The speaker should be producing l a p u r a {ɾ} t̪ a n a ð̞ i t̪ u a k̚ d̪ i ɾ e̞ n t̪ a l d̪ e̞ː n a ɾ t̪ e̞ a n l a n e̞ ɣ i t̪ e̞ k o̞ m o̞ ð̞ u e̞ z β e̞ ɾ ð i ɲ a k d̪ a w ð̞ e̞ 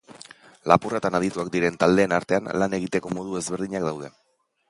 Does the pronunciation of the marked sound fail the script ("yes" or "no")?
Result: yes